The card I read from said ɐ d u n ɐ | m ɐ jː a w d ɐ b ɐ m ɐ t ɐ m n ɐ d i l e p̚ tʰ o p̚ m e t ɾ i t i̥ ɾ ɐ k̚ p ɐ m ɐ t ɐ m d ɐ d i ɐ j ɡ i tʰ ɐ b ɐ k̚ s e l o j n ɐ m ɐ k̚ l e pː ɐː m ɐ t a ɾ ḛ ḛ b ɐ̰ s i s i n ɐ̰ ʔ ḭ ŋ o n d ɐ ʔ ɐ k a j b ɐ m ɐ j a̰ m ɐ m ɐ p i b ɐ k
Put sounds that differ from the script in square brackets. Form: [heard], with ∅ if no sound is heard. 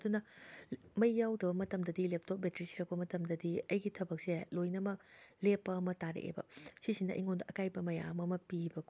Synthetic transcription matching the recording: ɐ d u n ɐ | m ɐ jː a w d ɐ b ɐ m ɐ t ɐ m [d] ɐ d i l e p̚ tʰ o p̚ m e t ɾ i [s] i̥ ɾ ɐ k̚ p ɐ m ɐ t ɐ m d ɐ d i ɐ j ɡ i tʰ ɐ b ɐ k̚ s e l o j n ɐ m ɐ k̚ l e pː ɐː m ɐ t a ɾ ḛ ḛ b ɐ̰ s i s i n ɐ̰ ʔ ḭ ŋ o n d ɐ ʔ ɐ k a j b ɐ m ɐ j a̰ m ɐ m ɐ p i b ɐ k